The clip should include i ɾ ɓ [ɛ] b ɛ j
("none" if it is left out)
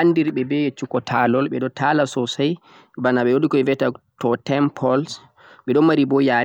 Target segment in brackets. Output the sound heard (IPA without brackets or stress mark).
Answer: ɛ